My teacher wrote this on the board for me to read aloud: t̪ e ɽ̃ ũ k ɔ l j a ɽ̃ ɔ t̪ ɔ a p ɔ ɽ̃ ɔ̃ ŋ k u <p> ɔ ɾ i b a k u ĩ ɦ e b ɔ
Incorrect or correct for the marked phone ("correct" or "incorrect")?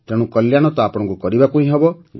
incorrect